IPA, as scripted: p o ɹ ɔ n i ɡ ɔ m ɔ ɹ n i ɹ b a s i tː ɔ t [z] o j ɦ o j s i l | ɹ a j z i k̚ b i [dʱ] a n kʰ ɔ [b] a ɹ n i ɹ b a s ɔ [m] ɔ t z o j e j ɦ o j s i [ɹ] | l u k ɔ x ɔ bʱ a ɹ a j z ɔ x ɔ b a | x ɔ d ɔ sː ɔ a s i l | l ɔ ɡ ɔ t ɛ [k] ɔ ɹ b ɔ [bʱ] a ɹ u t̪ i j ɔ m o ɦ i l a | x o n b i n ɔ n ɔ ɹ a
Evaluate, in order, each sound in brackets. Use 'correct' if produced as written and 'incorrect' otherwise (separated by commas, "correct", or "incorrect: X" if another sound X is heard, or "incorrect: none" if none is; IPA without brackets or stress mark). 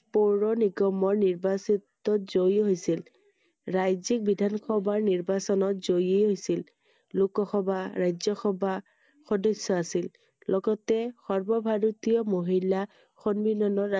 correct, correct, correct, incorrect: n, incorrect: l, incorrect: x, correct